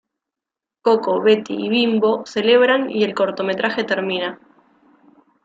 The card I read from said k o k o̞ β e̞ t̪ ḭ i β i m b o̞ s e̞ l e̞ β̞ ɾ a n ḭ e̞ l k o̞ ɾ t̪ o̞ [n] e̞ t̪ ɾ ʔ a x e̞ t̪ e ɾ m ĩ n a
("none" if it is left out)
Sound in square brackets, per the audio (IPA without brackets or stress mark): m